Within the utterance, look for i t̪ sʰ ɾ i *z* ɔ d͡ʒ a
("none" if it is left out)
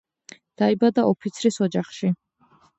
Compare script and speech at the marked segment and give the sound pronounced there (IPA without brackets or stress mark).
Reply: s